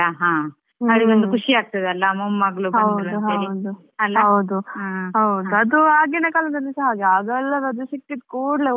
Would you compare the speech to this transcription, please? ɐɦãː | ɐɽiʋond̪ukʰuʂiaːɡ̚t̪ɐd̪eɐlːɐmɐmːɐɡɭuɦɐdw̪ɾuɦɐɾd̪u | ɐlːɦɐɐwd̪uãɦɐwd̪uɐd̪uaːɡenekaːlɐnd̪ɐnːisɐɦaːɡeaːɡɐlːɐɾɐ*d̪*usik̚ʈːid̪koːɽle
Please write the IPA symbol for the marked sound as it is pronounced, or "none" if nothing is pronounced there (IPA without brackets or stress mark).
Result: d̪